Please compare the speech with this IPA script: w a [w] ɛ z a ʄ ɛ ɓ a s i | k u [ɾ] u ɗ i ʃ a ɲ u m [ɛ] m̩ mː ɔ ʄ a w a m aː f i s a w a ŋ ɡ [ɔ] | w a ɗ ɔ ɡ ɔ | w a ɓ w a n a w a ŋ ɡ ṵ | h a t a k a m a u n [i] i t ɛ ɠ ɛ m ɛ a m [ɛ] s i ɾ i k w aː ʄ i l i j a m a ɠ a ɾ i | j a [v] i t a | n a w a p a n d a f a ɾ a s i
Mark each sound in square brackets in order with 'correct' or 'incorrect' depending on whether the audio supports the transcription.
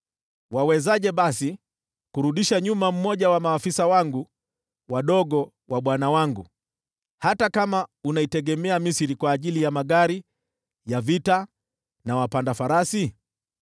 correct, correct, incorrect, incorrect, incorrect, incorrect, correct

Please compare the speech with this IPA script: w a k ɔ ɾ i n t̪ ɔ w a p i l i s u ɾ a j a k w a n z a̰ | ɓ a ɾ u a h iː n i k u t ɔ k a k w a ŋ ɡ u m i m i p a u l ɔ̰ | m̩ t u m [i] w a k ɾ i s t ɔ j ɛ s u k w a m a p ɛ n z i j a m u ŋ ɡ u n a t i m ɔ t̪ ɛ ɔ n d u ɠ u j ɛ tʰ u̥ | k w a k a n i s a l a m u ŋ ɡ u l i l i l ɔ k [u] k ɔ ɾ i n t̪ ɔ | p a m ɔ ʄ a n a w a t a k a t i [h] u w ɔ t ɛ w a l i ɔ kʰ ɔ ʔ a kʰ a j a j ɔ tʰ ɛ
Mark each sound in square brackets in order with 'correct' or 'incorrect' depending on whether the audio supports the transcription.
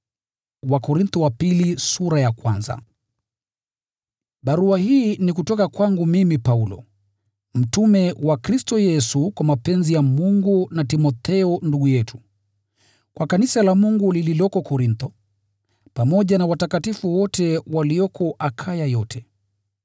incorrect, incorrect, incorrect

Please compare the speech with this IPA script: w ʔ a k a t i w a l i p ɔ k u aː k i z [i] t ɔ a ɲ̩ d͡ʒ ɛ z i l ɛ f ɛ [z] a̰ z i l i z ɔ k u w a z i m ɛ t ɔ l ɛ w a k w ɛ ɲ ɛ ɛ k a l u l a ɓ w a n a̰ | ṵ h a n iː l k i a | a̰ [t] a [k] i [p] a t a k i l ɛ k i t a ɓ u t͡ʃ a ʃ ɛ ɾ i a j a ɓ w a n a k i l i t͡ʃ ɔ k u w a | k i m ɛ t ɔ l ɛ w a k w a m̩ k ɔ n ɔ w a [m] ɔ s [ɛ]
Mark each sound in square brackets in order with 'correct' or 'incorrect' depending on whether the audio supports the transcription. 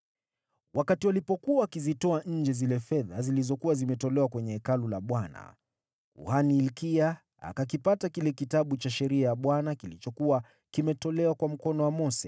correct, incorrect, incorrect, correct, correct, correct, correct

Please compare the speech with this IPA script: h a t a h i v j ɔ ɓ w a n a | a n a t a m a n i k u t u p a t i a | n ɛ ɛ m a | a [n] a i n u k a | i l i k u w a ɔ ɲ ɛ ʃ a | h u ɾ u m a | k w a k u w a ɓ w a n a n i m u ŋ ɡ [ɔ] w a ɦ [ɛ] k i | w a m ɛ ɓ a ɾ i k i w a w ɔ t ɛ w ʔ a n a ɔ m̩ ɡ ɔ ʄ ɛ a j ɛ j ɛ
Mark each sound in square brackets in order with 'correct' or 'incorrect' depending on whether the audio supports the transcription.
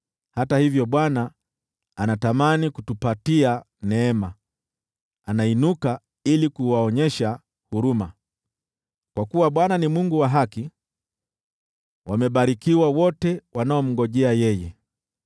correct, incorrect, incorrect

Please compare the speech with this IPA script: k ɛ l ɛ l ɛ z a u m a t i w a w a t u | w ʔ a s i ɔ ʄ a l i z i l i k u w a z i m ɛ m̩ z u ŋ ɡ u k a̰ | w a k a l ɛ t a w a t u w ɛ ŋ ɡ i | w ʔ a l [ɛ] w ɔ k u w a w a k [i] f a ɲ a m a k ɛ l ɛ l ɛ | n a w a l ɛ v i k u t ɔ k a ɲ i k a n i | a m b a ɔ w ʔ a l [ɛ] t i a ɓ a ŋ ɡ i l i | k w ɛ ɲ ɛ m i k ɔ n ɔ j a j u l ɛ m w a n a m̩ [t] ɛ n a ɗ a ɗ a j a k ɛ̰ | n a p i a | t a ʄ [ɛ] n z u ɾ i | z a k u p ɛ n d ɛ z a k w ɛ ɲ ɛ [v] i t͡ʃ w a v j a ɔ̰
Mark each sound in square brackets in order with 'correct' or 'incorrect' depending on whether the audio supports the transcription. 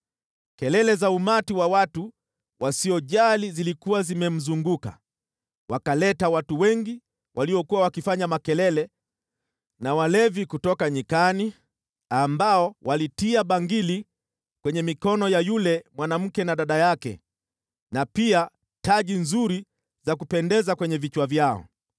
incorrect, correct, incorrect, incorrect, incorrect, correct

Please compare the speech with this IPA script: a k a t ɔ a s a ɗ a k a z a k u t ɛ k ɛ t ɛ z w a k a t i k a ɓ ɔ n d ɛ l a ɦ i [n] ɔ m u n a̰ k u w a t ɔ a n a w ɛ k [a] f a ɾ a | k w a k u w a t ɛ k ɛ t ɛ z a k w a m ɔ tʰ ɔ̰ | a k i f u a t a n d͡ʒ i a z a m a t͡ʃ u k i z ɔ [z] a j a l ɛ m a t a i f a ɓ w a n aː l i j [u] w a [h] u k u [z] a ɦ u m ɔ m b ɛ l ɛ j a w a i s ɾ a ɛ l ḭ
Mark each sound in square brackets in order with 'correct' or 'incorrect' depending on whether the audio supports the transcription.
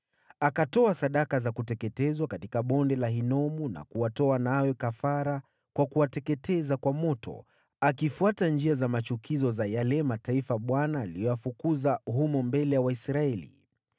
correct, correct, correct, incorrect, incorrect, correct

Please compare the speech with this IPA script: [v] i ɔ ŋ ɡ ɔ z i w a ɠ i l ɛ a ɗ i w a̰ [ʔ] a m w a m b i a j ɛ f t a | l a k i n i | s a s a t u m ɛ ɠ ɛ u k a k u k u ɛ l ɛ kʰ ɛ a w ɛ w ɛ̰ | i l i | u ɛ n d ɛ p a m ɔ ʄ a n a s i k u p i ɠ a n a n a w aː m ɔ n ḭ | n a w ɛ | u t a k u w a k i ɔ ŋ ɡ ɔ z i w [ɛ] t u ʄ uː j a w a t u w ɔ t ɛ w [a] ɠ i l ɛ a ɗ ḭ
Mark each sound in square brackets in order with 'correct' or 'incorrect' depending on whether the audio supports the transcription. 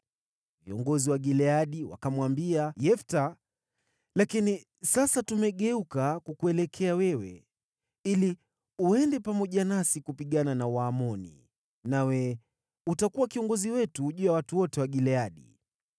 correct, incorrect, correct, correct

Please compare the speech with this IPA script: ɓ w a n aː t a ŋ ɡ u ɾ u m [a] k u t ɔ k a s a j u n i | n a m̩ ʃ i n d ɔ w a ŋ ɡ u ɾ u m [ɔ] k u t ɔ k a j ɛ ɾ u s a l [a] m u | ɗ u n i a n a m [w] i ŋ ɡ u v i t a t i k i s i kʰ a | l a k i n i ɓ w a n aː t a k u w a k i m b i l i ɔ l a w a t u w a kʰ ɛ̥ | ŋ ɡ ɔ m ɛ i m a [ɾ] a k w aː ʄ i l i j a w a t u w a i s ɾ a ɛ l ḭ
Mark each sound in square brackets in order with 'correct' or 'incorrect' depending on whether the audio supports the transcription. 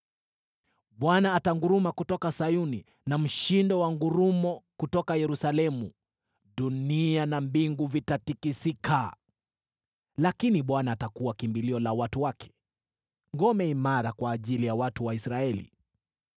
correct, correct, incorrect, incorrect, correct

